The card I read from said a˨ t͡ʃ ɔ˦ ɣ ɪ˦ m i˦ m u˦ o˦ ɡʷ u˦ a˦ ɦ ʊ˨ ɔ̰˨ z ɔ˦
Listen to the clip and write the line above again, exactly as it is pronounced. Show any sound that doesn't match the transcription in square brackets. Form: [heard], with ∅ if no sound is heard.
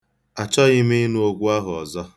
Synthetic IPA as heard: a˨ t͡ʃ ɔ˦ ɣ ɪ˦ m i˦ [n] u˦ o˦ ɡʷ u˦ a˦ ɦ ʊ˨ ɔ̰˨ z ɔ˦